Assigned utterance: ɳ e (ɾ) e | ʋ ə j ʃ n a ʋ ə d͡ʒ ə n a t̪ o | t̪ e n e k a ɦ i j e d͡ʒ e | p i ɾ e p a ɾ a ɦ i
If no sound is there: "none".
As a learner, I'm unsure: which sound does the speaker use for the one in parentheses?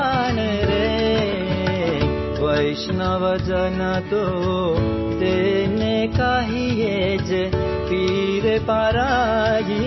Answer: ɾ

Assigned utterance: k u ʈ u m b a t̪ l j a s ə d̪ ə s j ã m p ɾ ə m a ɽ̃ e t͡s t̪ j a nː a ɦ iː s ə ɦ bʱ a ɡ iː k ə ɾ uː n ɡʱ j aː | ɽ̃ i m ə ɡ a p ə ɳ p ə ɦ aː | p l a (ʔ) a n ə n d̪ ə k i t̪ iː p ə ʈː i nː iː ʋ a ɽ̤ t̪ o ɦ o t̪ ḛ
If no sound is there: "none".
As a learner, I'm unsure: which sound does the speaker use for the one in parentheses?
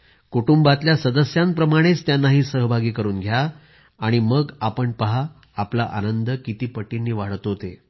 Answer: ʔ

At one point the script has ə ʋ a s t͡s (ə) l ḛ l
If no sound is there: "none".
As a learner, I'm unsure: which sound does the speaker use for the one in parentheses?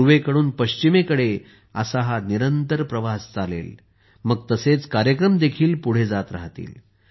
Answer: a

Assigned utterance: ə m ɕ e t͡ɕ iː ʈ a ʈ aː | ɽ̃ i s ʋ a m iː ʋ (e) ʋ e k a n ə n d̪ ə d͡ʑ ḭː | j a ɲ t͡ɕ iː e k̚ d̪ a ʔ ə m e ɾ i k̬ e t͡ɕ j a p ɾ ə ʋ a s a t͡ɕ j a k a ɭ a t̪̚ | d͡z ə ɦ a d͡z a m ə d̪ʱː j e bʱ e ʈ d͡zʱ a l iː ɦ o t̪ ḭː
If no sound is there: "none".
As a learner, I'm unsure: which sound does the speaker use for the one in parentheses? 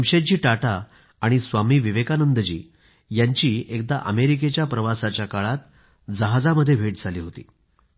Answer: i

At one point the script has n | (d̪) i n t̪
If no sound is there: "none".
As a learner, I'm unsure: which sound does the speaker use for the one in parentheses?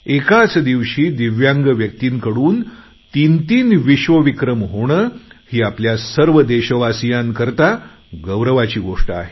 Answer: t̪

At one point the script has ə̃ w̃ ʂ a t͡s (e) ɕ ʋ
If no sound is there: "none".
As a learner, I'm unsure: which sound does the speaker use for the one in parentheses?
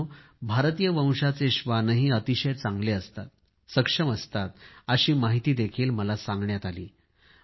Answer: e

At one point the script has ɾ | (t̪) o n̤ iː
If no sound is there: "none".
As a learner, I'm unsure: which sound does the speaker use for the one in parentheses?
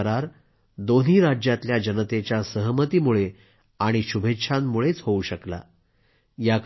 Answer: d̪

